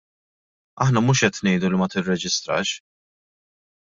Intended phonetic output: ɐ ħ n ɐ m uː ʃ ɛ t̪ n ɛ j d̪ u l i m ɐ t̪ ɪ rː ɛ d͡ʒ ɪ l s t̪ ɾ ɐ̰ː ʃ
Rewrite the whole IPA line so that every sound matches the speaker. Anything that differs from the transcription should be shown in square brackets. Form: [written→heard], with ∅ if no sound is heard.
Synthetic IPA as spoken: ɐ ħ n ɐ m uː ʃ ɛ t̪ n ɛ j d̪ u l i m ɐ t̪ ɪ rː ɛ d͡ʒ ɪ [l→∅] s t̪ ɾ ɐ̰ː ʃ

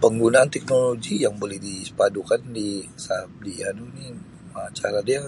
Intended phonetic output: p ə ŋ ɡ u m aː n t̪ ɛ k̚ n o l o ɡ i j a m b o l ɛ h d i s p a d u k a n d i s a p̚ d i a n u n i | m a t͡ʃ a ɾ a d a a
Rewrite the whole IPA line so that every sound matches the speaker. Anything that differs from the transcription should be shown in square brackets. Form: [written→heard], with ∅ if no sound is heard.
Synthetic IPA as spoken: p ə ŋ ɡ u [m→n] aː n t̪ ɛ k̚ n o l o ɡ i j a [m→ŋ] b o l ɛ h d i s p a d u k a n d i s a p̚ d i a n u n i | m a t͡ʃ a ɾ a d [a→i] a

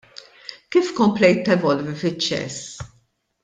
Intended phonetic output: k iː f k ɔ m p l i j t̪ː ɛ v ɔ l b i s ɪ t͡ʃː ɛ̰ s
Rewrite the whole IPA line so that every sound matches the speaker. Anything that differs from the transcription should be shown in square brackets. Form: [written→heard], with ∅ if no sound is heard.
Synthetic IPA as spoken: k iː f k ɔ m p l [i→ɛ] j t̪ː ɛ v ɔ l [b→v] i [s→f] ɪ t͡ʃː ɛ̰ s

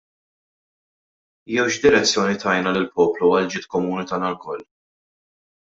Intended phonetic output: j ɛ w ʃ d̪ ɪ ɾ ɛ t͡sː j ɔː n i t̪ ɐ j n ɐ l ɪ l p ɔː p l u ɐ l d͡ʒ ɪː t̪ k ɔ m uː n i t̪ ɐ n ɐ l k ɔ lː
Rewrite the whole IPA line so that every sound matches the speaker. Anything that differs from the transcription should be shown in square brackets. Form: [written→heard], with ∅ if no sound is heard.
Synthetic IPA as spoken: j ɛ w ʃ d̪ ɪ ɾ ɛ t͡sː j ɔː n i t̪ ɐ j n ɐ l ɪ l p ɔː p l u ɐ l d͡ʒ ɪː t̪ k ɔ m uː n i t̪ [ɐ→ɐː] n ɐ l k ɔ lː

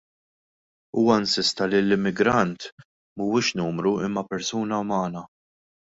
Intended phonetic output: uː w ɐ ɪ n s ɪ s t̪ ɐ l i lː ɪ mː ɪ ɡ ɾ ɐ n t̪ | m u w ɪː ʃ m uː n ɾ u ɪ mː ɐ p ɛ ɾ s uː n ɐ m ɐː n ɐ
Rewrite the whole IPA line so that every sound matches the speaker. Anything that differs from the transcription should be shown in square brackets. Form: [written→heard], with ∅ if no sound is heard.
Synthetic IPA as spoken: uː w ɐ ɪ n s ɪ s t̪ ɐ l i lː ɪ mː ɪ ɡ ɾ ɐ n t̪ | m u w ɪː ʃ [m→n] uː [n→m] ɾ u ɪ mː ɐ p ɛ ɾ s uː n ɐ m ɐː n ɐ

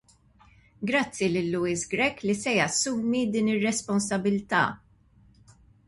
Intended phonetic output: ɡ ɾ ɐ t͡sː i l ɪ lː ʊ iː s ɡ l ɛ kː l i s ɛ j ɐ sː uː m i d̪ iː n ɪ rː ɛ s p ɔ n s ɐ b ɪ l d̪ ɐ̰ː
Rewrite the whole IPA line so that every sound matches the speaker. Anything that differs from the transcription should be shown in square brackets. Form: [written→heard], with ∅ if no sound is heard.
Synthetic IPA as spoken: ɡ ɾ ɐ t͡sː i l ɪ lː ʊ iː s ɡ [l→ɾ] ɛ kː l i s ɛ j ɐ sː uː m i d̪ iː n ɪ rː ɛ s p ɔ n s ɐ b ɪ l [d̪→t̪] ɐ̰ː

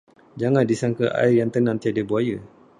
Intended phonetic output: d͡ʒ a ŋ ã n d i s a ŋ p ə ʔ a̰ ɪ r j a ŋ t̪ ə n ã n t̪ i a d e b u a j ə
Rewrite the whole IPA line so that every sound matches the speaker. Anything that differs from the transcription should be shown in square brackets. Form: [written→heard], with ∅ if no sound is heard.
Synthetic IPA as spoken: d͡ʒ a ŋ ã n d i s a ŋ [p→k] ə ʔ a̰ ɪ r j a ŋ t̪ ə n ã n t̪ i a d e b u a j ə

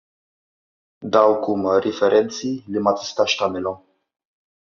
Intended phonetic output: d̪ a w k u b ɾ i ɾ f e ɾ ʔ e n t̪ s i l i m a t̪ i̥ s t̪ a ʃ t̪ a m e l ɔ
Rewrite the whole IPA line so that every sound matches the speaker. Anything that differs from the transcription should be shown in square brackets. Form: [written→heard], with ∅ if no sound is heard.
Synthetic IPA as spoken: d̪ a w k u [b→m] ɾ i [ɾ→∅] f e ɾ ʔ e n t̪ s i l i m a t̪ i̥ s t̪ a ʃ t̪ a m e l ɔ

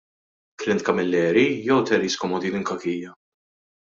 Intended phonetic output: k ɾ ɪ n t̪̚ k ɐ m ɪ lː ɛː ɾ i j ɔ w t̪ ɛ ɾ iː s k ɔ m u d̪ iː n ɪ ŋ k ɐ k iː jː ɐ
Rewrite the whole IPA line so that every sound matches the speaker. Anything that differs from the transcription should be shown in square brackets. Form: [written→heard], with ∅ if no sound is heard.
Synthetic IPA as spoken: k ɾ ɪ n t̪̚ k ɐ m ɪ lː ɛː ɾ i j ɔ w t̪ ɛ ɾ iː s k ɔ m [u→ɔ] d̪ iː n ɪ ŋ k ɐ k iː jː ɐ

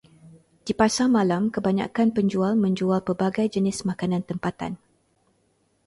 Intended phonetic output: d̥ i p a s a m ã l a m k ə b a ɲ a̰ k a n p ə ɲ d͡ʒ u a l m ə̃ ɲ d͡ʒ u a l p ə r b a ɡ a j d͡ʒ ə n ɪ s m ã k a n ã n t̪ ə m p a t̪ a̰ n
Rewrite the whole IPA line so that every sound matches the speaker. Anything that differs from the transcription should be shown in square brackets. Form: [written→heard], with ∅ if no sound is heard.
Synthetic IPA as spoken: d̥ i p a s a m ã l a m k ə b a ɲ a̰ k a n p ə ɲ d͡ʒ u a l m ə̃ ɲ d͡ʒ u a l p ə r b a ɡ a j d͡ʒ ə n ɪ s m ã k a n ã n t̪ ə m p a t̪ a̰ n

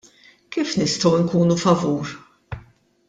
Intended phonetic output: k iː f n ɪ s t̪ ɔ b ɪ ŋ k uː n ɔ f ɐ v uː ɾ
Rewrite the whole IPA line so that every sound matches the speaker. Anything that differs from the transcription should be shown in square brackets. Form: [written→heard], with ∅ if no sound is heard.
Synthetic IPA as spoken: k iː f n ɪ s t̪ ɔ [b→w] ɪ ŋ k uː n [ɔ→u] f ɐ v uː ɾ

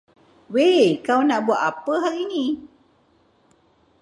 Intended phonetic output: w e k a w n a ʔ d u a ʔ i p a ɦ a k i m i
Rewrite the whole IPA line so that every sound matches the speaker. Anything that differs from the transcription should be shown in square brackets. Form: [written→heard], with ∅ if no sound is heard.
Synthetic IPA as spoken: w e k a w n a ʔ [d→b] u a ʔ [i→a] p [a→ə] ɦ a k i [m→n] i

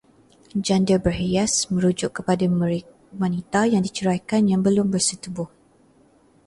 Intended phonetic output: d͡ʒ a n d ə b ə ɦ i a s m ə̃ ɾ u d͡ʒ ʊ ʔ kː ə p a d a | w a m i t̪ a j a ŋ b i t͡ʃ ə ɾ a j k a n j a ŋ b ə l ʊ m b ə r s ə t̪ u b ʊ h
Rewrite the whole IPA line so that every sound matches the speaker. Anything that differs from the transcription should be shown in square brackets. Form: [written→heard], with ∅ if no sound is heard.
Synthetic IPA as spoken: d͡ʒ a n d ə b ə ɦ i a s m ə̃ ɾ u d͡ʒ ʊ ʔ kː ə p a d a | w a [m→n] i t̪ a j a ŋ [b→d] i t͡ʃ ə ɾ a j k a n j a ŋ b ə l ʊ m b ə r s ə t̪ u b ʊ h

